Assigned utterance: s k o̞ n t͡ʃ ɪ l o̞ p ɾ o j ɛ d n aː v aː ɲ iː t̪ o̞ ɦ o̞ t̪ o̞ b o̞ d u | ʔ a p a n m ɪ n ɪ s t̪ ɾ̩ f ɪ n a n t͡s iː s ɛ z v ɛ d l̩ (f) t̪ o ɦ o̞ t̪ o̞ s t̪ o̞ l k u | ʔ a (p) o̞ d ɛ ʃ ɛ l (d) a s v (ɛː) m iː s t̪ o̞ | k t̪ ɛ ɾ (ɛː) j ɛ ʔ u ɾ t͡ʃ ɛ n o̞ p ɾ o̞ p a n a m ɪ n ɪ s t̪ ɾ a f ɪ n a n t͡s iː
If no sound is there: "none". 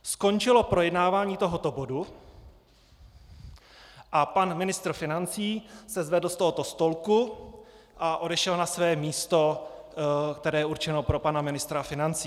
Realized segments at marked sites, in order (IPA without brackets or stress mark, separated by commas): s, ʔ, n, ɛː, ɛː